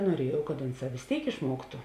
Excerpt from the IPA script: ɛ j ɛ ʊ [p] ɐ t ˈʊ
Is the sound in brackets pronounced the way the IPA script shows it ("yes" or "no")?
no